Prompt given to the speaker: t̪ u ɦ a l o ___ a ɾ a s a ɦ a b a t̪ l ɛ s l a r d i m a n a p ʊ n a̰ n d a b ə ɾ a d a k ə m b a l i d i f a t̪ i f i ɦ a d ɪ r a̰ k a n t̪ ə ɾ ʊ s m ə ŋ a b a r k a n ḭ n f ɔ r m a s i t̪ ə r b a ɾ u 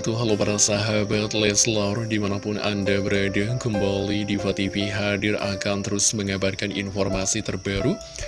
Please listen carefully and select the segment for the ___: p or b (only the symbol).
p